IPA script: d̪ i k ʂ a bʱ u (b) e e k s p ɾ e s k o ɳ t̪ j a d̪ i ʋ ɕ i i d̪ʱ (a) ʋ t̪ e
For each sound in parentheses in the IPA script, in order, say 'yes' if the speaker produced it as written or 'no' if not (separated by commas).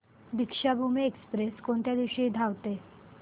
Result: no, yes